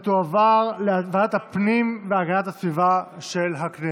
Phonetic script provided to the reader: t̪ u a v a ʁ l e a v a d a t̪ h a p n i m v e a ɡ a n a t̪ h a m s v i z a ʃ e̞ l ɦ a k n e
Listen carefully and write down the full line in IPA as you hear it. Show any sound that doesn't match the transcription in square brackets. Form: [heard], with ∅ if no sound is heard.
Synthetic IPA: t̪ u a v a ʁ l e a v a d a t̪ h a p n i m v e a ɡ a n a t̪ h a [∅] s v i [v] a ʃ e̞ l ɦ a k n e